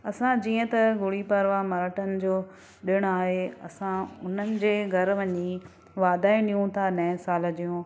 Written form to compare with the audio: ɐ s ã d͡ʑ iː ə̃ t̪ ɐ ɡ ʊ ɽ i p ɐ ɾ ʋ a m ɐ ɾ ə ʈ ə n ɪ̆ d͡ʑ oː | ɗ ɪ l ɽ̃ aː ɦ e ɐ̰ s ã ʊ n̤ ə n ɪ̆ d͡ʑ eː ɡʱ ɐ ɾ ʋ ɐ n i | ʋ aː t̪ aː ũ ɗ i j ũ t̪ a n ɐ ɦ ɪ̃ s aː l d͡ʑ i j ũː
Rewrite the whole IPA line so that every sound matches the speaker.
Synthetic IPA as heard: ɐ s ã d͡ʑ iː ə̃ t̪ ɐ ɡ ʊ ɽ i p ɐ ɾ ʋ a m ɐ ɾ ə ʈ ə n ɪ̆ d͡ʑ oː | ɗ ɪ ɽ̃ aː ɦ e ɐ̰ s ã ʊ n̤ ə n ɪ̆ d͡ʑ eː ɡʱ ɐ ɾ ʋ ɐ ɲ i | ʋ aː d̪ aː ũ ɗ i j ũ t̪ʰ a n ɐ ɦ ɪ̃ s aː l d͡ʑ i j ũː